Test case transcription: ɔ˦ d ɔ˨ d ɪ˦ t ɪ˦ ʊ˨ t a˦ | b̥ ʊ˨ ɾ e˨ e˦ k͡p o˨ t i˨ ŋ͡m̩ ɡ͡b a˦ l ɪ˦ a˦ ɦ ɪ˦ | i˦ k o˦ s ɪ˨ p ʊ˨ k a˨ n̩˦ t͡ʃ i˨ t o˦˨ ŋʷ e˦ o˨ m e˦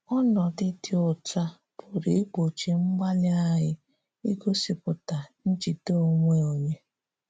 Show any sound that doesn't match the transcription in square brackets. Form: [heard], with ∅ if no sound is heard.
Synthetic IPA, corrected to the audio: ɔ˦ [n] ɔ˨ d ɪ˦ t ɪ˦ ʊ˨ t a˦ | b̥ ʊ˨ ɾ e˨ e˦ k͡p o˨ [t͡ʃ] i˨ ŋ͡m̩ ɡ͡b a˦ l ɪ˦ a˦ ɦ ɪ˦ | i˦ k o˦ s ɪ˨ p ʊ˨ [t] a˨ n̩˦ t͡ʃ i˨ t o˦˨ ŋʷ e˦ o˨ [ɲ] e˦

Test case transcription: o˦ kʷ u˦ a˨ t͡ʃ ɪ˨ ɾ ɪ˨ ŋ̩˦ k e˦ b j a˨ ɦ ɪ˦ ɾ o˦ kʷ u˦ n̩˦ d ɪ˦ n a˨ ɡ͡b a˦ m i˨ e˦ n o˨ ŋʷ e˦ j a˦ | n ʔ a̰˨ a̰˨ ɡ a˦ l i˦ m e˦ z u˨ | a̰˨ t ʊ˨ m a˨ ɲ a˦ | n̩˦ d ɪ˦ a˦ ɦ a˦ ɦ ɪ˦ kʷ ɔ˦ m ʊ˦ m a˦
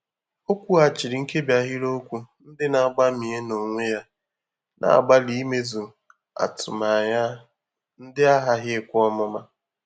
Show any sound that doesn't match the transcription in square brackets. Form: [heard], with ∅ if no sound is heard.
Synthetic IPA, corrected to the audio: o˦ kʷ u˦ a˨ t͡ʃ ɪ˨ ɾ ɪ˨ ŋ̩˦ k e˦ b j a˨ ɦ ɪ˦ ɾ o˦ kʷ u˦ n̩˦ d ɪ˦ n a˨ ɡ͡b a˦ m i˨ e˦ n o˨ ŋʷ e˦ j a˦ | n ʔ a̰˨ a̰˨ [ɡ͡b] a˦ l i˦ m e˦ z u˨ | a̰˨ t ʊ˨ m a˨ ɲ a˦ | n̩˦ d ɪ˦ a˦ ɦ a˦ ɦ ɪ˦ kʷ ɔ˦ m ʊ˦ m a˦

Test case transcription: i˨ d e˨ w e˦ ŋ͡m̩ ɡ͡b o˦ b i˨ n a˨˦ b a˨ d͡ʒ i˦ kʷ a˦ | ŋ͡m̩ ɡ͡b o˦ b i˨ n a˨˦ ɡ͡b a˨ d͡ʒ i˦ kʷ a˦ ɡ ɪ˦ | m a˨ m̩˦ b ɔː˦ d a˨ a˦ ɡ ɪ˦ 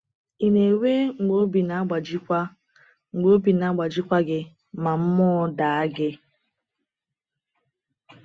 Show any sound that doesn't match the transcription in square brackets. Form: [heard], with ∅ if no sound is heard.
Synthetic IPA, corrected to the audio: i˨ [n] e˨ w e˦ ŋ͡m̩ ɡ͡b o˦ b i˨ n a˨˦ [ɡ͡b] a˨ d͡ʒ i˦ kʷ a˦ | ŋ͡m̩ ɡ͡b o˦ b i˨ n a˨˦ ɡ͡b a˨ d͡ʒ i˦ kʷ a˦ ɡ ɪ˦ | m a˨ m̩˦ [m] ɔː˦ d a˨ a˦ ɡ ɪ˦

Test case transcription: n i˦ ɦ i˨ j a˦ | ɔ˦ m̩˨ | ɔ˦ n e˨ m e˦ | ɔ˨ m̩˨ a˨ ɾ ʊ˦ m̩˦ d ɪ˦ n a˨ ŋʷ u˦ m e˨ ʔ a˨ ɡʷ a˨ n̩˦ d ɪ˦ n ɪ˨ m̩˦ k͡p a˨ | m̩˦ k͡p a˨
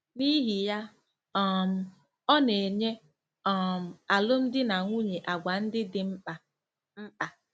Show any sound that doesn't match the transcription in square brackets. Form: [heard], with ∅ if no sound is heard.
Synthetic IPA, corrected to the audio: n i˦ ɦ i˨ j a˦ | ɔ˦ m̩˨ | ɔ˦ n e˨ [ɲ] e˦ | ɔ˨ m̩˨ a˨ [l] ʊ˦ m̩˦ d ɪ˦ n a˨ ŋʷ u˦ [ɲ] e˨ ʔ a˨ ɡʷ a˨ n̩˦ d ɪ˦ [d] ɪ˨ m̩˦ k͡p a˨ | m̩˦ k͡p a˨

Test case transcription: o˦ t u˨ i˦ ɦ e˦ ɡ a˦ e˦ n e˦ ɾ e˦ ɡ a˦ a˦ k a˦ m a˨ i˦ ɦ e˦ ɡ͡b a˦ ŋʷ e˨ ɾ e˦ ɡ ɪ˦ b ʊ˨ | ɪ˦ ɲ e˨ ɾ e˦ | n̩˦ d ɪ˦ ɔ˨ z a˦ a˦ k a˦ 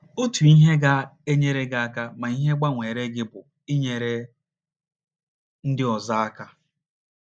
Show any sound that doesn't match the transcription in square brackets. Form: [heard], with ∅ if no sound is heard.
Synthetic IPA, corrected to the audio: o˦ t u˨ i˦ ɦ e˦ ɡ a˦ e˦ [ɲ] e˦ ɾ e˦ ɡ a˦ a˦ k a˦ m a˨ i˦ ɦ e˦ ɡ͡b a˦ ŋʷ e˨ ɾ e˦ ɡ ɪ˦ b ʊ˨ | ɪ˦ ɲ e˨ ɾ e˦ | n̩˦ d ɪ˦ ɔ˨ z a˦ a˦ k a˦

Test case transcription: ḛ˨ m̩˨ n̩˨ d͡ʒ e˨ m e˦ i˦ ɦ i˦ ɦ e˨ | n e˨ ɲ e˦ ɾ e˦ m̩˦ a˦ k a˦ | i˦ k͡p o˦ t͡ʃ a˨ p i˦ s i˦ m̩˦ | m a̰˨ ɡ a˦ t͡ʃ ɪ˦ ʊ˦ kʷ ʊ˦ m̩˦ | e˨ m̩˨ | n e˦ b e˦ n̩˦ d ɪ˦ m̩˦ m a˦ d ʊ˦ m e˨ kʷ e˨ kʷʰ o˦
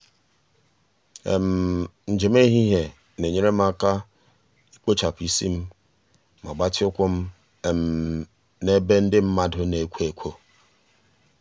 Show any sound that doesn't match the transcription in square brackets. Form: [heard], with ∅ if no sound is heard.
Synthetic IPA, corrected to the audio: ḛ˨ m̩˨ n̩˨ d͡ʒ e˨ m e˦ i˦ ɦ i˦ ɦ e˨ | n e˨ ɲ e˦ ɾ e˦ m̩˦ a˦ k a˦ | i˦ k͡p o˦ t͡ʃ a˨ p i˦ s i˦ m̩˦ | m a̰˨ [ɡ͡b] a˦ t͡ʃ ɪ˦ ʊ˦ kʷ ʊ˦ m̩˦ | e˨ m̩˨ | n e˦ b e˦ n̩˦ d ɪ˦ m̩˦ m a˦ d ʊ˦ [n] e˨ kʷ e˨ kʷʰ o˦

